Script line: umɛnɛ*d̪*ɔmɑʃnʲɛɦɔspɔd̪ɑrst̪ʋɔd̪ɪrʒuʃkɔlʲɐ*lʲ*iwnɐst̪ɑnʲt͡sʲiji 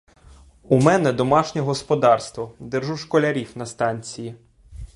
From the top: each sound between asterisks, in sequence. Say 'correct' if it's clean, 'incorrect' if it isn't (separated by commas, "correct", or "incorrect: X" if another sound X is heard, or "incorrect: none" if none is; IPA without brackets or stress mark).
correct, incorrect: ɾʲ